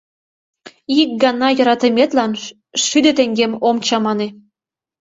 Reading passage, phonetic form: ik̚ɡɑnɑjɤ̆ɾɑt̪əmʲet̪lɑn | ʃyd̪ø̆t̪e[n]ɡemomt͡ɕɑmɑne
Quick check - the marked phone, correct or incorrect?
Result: incorrect